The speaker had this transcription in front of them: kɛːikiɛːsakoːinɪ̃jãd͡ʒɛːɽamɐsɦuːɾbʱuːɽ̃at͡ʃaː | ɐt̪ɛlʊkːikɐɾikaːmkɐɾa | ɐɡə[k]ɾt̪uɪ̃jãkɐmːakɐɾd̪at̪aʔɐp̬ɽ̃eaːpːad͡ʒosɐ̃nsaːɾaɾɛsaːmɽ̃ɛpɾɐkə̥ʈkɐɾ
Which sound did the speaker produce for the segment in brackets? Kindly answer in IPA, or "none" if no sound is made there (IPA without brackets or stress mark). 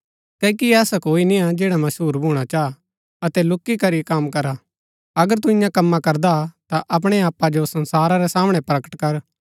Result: none